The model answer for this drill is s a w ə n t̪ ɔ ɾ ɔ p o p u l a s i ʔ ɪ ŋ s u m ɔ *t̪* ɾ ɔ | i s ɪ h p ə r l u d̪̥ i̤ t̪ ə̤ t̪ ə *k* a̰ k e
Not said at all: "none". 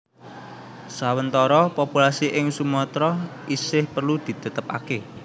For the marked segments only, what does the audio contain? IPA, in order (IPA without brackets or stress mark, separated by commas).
t̪, p